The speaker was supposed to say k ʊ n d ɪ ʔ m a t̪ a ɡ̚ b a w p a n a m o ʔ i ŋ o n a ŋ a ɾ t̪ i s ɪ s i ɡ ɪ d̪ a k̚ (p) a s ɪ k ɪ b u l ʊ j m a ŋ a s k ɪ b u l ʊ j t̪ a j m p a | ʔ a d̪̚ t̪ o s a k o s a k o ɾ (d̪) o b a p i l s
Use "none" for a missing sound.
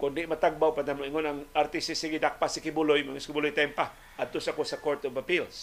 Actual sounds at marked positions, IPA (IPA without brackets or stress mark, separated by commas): p, t̪